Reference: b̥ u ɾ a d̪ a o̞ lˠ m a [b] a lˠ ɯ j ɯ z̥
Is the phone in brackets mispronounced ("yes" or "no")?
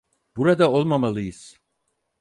yes